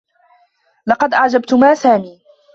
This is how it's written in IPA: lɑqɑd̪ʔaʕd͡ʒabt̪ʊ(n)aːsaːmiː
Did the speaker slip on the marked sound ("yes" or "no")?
yes